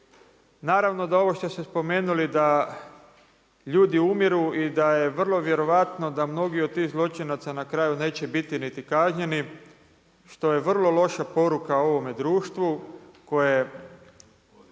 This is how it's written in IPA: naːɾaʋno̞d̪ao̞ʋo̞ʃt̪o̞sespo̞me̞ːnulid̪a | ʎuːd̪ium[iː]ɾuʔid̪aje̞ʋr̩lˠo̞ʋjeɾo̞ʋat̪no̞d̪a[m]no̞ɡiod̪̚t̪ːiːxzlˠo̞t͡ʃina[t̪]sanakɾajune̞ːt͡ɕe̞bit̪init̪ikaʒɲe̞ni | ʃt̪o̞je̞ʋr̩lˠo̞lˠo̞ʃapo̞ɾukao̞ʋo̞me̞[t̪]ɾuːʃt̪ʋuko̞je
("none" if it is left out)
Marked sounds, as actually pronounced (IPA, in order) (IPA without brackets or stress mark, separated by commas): i, m, t̪, d̪